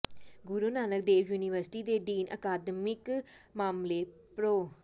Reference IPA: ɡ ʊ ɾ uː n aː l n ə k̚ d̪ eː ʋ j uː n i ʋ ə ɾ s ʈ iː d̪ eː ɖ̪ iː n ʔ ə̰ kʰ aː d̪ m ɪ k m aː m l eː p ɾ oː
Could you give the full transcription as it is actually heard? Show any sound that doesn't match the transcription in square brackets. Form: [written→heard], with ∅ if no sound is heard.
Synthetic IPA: ɡ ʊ ɾ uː n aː [l→∅] n ə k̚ d̪ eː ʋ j uː n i ʋ ə ɾ s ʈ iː d̪ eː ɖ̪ iː n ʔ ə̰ [kʰ→k] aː d̪ m ɪ k m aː m l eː p ɾ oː